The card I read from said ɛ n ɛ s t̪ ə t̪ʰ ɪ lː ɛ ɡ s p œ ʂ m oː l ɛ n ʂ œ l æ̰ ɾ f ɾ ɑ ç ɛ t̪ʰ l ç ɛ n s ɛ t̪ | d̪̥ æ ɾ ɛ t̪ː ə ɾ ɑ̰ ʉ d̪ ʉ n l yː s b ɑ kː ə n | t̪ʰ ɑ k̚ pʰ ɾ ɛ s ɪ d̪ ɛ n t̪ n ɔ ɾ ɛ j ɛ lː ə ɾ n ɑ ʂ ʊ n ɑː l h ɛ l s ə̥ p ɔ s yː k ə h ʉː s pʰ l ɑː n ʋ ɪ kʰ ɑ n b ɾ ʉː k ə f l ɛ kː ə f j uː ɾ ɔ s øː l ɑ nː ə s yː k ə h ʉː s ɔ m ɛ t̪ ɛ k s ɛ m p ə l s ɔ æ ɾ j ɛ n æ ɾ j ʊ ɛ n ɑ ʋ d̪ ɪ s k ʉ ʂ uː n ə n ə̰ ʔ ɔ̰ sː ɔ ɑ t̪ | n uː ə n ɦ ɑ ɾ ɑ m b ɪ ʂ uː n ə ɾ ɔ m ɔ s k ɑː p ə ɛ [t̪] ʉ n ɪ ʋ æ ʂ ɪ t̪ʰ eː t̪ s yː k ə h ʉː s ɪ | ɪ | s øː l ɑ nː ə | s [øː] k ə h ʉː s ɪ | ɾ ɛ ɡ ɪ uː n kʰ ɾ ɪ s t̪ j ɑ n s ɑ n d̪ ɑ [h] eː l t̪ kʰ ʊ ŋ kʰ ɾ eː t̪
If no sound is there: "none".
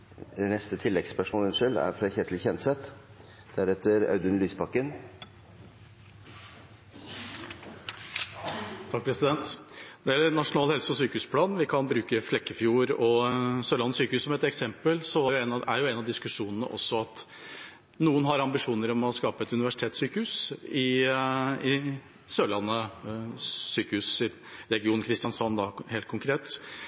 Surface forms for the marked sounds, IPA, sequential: t̪, yː, h

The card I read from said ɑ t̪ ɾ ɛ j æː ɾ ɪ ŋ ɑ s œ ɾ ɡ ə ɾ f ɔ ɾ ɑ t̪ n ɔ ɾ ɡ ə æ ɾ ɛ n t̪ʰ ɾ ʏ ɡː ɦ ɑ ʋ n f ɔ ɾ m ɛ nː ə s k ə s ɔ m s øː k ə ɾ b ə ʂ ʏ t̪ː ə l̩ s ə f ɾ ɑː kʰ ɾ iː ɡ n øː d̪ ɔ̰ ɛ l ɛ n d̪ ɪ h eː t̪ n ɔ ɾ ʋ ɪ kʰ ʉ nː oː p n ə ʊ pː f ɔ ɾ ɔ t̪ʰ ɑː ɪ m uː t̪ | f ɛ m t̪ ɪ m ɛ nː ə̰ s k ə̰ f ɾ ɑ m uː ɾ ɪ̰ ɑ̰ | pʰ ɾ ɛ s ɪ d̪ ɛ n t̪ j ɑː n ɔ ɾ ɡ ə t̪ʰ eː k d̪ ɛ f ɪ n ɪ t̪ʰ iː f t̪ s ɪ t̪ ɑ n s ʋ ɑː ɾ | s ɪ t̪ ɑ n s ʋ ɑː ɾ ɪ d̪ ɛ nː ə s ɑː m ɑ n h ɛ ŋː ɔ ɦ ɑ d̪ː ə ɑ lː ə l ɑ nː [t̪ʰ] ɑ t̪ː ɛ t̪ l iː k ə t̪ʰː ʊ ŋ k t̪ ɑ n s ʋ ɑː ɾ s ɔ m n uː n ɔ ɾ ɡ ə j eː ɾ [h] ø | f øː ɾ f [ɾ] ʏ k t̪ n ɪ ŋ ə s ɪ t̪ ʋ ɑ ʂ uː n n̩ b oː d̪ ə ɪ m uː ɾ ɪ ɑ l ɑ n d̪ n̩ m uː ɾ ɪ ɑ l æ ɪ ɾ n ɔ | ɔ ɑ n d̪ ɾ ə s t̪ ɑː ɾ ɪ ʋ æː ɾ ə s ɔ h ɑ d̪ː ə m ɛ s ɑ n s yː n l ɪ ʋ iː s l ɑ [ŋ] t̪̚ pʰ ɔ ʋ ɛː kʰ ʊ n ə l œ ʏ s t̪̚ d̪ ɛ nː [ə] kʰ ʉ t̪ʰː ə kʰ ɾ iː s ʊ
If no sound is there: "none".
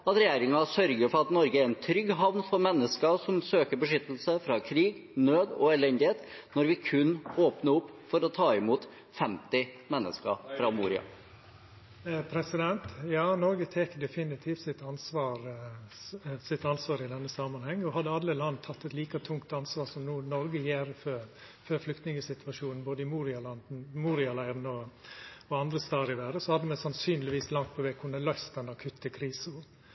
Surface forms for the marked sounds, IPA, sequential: t̪ʰ, f, l, ŋ, ɑ

